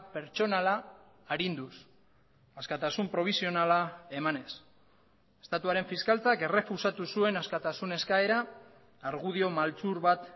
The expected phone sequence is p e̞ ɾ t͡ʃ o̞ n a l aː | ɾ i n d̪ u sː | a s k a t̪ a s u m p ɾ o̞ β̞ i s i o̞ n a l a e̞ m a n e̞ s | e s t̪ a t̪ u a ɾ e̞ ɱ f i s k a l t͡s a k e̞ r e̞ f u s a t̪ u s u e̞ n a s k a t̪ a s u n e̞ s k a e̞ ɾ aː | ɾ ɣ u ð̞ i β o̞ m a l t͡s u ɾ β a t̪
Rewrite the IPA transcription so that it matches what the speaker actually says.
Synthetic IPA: p e̞ ɾ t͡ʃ o̞ n a l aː | ɾ i n d̪ u s | a s k a t̪ a s u m p ɾ o̞ β̞ i s i o̞ n a l a e̞ m a n e̞ s | e s t̪ a t̪ u a ɾ e̞ ɱ f i s k a l t͡s a k e̞ r e̞ f u s a t̪ u s u e̞ n a s k a t̪ a s u n e̞ s k a e̞ ɾ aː | ɾ ɣ u ð̞ i o̞ m a l t͡s u ɾ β a t̪